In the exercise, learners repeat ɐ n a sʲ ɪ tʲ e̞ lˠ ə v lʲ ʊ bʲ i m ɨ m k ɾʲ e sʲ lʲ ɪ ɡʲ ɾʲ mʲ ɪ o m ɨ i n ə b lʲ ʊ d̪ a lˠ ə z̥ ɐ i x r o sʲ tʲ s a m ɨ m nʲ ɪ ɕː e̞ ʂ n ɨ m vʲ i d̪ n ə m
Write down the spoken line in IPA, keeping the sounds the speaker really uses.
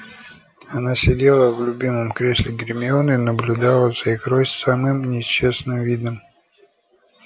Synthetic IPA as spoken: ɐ n a sʲ ɪ dʲ e̞ lˠ ə v lʲ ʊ bʲ i m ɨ m k ɾʲ e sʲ lʲ ɪ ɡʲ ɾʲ mʲ ɪ o n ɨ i n ə b lʲ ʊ d̪ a lˠ ə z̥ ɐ i x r o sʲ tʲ s a m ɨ m nʲ ɪ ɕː e̞ s n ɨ m vʲ i d̪ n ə m